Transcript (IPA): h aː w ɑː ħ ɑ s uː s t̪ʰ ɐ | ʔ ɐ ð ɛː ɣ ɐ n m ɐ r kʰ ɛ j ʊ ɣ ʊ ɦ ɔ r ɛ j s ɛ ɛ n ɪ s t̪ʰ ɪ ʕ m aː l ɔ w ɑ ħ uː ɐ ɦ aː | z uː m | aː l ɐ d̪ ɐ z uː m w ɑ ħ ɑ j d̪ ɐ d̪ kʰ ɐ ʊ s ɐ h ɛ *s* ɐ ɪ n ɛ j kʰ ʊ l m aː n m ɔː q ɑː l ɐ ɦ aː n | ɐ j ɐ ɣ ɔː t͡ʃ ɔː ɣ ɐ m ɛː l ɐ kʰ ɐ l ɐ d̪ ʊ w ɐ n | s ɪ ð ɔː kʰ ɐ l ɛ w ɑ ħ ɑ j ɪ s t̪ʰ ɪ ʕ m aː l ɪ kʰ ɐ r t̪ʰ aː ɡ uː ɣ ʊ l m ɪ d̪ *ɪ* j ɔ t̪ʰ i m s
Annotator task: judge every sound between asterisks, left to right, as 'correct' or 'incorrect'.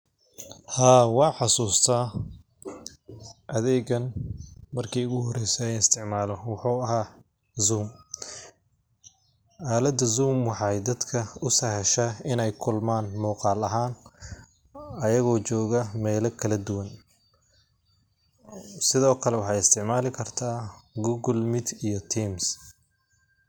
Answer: incorrect: ʃ, incorrect: i

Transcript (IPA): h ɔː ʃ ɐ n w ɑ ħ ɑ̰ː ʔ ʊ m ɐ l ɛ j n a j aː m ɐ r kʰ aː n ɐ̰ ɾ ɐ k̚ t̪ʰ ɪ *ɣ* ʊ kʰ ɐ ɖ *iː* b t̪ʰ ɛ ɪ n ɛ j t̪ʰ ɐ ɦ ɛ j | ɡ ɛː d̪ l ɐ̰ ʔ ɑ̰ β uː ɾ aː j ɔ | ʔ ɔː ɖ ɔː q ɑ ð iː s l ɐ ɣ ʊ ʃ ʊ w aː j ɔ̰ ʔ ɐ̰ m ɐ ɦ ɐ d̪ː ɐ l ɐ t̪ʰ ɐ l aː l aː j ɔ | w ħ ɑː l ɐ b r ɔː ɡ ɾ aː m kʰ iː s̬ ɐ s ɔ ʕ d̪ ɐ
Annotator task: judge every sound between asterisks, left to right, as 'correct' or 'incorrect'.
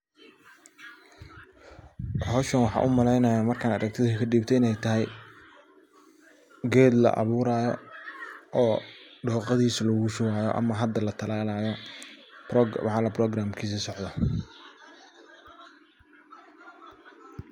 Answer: incorrect: ð, correct

